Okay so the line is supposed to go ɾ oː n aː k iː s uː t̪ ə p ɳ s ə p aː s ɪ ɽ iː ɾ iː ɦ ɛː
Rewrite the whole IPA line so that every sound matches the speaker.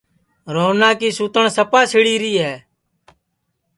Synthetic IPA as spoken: ɾ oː n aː k iː s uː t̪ ə ɳ s ə p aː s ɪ ɽ iː ɾ iː ɦ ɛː